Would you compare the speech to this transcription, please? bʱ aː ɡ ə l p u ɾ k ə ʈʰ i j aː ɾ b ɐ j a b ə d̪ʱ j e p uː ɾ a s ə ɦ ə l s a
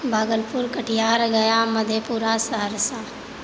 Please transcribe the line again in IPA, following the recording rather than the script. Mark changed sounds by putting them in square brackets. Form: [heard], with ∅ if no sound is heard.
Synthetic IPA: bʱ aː ɡ ə l p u ɾ k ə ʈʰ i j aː ɾ [ɡ] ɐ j a [m] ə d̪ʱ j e p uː ɾ a s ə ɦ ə [ɾ] s a